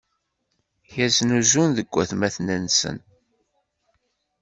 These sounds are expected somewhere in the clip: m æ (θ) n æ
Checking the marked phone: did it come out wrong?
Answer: no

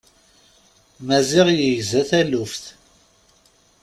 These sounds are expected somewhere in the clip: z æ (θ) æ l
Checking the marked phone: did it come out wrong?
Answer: no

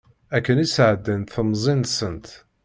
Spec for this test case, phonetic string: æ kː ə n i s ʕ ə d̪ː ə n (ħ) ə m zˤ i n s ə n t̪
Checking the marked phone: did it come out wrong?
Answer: yes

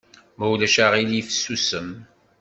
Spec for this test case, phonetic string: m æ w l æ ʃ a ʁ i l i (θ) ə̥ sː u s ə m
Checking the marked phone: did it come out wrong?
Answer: yes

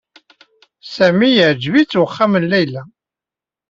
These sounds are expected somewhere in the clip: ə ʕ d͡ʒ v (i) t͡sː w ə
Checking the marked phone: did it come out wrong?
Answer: no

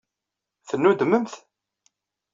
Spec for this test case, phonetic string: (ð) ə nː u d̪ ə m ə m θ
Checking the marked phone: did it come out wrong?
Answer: yes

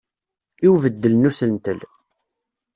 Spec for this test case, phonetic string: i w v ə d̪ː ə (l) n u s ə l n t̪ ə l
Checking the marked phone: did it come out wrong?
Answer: no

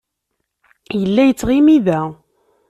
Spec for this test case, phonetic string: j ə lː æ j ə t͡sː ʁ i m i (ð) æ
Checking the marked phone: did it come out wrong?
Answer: no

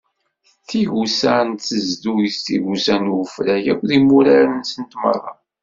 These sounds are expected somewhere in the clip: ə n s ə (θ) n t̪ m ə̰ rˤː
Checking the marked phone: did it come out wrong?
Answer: yes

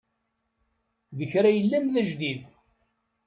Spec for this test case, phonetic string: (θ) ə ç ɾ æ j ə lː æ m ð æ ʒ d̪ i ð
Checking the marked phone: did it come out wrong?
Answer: yes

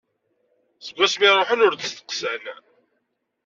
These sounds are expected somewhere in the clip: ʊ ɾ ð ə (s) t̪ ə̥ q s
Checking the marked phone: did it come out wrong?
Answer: no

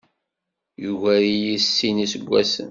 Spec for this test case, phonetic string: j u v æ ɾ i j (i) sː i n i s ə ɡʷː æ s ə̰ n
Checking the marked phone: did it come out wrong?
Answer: no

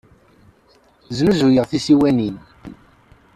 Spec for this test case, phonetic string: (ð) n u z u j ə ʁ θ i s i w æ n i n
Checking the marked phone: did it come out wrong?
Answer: yes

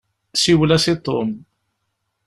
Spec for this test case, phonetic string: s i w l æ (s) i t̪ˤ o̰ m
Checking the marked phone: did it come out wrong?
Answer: no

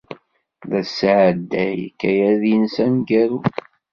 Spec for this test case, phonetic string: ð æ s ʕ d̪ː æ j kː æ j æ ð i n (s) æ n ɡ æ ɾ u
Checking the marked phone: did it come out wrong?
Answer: no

